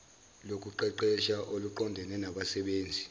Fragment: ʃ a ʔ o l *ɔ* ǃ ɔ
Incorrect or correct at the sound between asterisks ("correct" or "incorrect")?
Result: incorrect